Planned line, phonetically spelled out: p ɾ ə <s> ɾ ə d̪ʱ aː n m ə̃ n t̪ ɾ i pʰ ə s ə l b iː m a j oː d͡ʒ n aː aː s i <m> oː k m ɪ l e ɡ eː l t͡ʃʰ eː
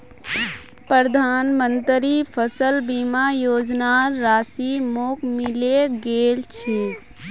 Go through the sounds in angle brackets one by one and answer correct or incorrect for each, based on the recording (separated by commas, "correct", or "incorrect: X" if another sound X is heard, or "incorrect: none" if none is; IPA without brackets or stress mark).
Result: incorrect: none, correct